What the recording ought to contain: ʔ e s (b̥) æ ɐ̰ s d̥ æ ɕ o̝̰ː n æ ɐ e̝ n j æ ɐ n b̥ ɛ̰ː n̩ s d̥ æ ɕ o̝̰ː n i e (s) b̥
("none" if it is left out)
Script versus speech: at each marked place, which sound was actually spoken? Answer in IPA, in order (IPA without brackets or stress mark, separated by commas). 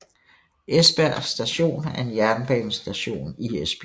b̥, s